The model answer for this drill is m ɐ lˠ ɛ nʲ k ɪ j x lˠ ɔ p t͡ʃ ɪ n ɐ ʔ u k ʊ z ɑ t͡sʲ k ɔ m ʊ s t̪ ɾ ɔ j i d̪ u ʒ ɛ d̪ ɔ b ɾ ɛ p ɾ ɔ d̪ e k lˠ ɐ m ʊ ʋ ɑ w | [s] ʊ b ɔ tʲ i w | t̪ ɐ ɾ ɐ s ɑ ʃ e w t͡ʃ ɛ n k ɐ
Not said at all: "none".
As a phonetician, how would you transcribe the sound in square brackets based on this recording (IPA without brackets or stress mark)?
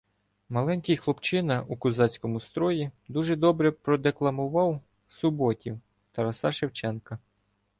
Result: s